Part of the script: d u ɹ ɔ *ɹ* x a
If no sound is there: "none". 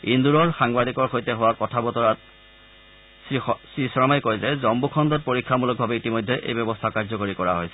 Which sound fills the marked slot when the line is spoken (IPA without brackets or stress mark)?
ɹ